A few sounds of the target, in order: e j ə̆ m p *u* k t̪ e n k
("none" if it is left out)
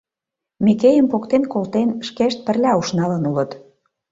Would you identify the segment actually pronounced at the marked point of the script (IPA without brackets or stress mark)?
o